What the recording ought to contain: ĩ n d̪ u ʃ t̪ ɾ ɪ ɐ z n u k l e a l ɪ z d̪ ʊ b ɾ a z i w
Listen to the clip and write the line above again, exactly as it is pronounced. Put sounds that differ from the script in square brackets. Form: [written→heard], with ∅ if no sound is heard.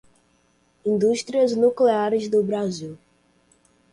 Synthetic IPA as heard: ĩ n d̪ u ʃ t̪ ɾ [ɪ→i] ɐ z n u k l e a [l→ɾ] ɪ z d̪ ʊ b ɾ a z i w